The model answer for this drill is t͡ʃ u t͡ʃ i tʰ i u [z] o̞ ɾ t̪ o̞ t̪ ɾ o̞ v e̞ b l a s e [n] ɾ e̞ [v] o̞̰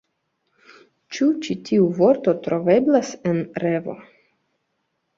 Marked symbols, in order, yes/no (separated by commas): no, yes, yes